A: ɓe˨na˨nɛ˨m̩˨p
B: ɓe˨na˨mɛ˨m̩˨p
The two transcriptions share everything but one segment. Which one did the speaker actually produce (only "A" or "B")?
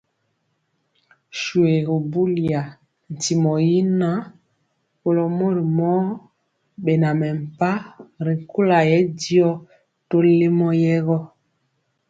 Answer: B